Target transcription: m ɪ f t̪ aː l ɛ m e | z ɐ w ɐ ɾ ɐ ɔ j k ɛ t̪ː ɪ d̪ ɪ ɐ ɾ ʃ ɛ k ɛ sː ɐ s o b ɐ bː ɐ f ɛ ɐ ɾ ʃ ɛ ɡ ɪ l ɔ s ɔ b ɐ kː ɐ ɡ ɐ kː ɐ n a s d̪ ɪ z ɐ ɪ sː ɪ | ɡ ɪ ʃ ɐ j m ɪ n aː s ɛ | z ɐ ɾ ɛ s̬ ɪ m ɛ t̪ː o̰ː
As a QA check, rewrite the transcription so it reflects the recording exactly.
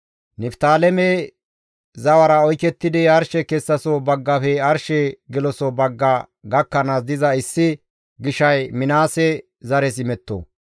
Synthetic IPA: n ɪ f t̪ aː l ɛ m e | z ɐ w ɐ ɾ ɐ ɔ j k ɛ t̪ː ɪ d̪ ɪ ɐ ɾ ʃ ɛ k ɛ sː ɐ s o b ɐ ɡː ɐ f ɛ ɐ ɾ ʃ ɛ ɡ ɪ l ɔ s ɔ b ɐ ɡː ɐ ɡ ɐ kː ɐ n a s d̪ ɪ z ɐ ɪ sː ɪ | ɡ ɪ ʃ ɐ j m ɪ n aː s ɛ | z ɐ ɾ ɛ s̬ ɪ m ɛ t̪ː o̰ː